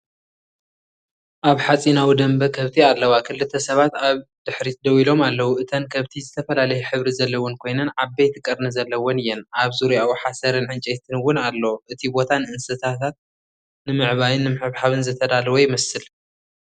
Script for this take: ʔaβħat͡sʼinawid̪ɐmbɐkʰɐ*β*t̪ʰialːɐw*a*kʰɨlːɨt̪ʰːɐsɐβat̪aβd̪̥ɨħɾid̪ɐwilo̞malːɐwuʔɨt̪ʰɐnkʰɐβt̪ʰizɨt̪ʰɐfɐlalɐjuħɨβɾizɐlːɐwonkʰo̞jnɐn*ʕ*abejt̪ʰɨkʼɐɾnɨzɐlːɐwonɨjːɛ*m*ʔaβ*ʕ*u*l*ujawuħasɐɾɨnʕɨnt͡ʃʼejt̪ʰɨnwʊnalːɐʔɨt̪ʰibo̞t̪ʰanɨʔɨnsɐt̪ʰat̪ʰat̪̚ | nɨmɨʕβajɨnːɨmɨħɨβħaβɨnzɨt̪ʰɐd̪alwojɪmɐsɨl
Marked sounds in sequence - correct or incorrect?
correct, correct, correct, incorrect: n, incorrect: z, incorrect: ɾ

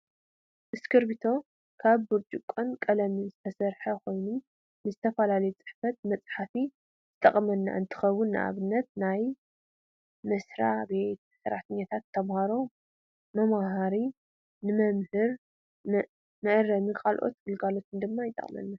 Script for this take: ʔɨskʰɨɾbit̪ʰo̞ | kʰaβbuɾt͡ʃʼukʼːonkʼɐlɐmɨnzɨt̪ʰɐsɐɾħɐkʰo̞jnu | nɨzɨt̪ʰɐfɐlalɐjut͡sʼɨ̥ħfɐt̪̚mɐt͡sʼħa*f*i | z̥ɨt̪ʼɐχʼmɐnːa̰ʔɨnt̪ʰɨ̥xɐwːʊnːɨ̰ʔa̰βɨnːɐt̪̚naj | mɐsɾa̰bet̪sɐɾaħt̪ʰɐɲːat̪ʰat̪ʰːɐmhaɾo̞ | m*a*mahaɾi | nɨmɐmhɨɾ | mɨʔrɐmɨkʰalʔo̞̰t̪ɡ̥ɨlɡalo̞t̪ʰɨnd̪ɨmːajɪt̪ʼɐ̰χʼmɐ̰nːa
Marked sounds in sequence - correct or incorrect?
correct, incorrect: ɐ

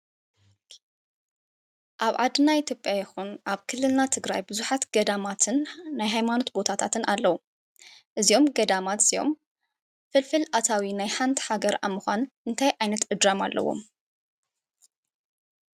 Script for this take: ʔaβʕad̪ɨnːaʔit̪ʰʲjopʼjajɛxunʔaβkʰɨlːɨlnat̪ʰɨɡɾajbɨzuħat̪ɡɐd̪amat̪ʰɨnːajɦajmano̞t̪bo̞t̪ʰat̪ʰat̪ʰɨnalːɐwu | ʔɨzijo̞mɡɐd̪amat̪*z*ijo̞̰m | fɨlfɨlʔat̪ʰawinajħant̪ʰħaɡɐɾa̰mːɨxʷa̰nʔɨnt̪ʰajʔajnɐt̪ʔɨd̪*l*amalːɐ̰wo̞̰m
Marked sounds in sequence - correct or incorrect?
incorrect: s, incorrect: ɾ

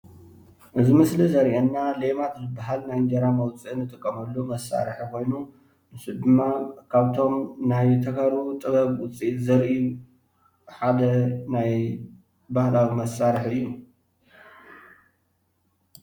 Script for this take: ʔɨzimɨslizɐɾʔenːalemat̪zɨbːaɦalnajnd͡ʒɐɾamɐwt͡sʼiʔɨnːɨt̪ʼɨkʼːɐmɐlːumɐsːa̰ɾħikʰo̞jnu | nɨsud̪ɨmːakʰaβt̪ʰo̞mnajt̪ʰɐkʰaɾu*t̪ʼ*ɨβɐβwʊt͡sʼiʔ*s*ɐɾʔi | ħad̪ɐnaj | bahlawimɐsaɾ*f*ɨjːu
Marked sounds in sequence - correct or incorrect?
correct, incorrect: z, incorrect: ħ

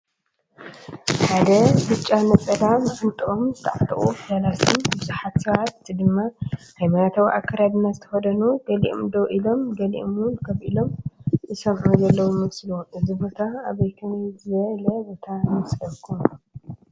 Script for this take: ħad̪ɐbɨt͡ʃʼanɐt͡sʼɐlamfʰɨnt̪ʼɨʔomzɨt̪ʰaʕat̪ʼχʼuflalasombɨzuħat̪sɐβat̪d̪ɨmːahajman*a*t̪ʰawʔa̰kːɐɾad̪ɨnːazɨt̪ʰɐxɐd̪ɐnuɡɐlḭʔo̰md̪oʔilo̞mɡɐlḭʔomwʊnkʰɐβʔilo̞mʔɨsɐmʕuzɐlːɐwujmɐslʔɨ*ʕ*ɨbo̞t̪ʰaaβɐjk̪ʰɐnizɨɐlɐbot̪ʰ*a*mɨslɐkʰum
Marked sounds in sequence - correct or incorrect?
correct, incorrect: z, correct

